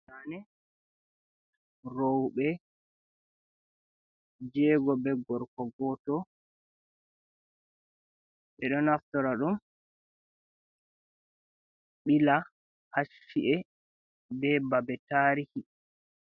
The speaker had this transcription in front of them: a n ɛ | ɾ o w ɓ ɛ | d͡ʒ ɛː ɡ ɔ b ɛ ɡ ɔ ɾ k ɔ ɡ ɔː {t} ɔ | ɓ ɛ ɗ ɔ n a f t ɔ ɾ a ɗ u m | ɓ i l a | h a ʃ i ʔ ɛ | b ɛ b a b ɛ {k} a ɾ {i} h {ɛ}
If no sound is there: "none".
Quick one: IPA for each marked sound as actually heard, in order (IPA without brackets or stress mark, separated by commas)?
t, t, i, i